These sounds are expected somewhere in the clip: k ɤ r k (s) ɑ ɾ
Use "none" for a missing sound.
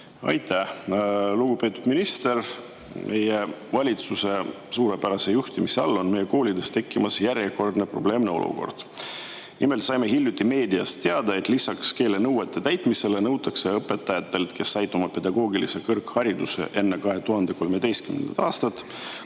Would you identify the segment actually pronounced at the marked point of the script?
h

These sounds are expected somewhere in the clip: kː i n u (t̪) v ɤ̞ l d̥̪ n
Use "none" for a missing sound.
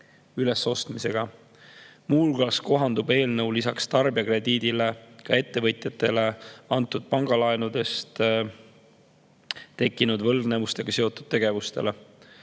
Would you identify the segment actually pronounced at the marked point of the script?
d̪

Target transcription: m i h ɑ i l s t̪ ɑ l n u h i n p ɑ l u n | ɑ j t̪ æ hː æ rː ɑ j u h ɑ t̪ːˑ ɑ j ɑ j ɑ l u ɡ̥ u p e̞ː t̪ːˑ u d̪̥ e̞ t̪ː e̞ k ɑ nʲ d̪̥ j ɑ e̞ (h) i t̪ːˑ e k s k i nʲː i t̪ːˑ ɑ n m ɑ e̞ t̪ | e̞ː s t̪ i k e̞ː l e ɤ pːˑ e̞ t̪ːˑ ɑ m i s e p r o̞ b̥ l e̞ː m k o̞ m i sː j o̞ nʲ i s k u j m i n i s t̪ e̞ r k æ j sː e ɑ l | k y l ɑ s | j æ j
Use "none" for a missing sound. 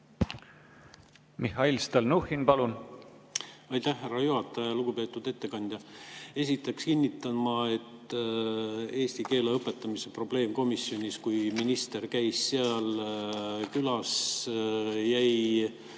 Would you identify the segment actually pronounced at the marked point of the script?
s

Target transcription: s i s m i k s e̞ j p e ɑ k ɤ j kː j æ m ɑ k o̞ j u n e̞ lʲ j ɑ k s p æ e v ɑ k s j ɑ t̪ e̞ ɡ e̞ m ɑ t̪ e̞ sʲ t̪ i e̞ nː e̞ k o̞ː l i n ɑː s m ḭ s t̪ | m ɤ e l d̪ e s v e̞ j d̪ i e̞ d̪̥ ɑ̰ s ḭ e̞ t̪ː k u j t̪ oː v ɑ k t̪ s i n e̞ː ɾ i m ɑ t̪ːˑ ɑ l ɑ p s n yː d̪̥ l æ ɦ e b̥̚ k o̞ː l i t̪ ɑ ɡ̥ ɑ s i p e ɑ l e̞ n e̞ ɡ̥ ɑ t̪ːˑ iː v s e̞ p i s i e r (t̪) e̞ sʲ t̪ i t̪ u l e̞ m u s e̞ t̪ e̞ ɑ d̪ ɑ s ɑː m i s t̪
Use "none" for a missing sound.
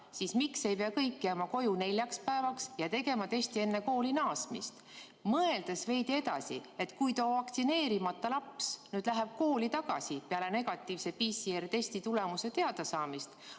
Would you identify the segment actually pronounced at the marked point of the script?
t̪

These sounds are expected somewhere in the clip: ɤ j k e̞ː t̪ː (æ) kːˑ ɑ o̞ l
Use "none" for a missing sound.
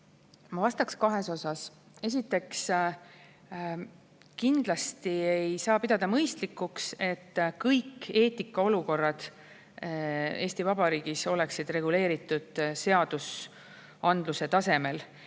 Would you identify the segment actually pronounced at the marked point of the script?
i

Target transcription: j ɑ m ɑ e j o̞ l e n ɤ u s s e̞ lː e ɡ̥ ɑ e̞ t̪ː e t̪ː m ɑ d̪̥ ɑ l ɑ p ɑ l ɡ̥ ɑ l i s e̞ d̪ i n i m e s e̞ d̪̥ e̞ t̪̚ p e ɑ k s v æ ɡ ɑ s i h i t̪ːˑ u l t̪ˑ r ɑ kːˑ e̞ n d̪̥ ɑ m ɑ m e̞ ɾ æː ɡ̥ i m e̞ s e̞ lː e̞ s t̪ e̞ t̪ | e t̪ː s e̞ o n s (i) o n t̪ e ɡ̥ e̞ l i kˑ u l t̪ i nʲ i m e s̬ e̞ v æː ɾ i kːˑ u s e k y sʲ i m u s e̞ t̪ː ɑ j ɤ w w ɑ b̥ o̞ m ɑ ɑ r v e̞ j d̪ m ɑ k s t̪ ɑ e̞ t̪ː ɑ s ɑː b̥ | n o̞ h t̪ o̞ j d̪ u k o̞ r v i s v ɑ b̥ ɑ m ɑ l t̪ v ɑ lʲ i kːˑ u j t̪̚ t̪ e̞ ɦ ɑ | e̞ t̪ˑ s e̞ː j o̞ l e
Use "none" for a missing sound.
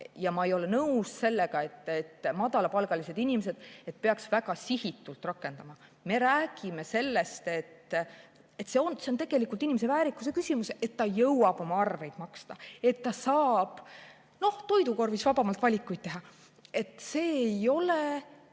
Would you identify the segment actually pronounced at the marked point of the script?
e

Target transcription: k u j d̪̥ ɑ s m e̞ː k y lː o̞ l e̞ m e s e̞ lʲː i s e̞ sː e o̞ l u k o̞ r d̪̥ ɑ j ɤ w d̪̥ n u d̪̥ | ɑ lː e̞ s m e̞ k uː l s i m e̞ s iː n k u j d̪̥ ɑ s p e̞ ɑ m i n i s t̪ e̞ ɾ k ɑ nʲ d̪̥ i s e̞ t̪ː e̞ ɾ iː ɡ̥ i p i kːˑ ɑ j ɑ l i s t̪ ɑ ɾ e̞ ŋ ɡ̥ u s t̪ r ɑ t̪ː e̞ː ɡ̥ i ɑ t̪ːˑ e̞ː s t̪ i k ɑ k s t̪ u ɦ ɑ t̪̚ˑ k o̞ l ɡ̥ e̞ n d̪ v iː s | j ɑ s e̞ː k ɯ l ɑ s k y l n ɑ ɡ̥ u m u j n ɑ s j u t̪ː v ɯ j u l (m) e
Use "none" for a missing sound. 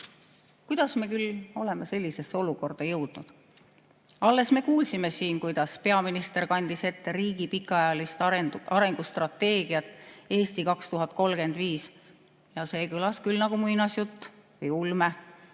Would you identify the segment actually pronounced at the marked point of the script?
m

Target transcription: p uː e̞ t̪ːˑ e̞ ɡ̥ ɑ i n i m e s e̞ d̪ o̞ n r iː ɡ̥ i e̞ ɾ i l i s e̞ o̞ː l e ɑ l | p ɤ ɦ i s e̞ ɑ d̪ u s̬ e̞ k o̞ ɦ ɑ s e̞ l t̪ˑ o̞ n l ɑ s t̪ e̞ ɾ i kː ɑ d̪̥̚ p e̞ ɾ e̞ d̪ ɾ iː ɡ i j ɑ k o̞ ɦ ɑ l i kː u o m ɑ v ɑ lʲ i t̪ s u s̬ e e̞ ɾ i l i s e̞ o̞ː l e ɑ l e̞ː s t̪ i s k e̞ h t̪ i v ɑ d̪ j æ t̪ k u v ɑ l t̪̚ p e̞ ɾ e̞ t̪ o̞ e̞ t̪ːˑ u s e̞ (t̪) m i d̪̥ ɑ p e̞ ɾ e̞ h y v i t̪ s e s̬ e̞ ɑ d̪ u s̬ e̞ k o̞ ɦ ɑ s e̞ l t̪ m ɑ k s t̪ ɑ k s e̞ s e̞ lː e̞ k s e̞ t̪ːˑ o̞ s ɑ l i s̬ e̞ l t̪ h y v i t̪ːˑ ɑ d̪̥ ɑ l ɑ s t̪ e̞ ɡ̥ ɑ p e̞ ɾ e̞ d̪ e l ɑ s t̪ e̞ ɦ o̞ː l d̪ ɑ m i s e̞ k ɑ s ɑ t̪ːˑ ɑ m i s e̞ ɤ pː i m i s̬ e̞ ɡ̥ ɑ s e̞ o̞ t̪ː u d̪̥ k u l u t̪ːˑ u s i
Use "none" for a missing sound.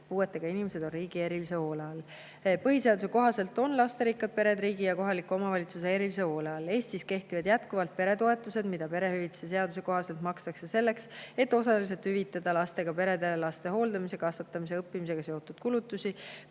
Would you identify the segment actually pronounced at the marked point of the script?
d̪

